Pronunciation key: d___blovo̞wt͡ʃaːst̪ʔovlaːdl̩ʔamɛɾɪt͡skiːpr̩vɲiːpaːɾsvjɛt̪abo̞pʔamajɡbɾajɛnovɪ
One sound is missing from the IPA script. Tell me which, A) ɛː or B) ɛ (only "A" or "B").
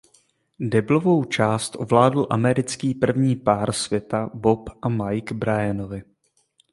B